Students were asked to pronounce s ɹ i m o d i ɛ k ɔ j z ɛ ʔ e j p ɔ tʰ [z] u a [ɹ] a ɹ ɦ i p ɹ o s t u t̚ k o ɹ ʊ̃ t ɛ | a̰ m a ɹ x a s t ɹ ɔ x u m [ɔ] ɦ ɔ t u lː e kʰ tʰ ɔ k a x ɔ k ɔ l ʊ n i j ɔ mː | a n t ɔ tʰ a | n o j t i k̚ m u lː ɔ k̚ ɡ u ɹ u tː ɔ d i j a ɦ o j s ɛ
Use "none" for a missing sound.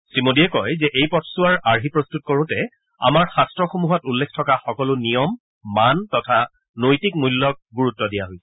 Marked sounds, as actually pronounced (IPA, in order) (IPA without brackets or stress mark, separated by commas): s, ɹ, u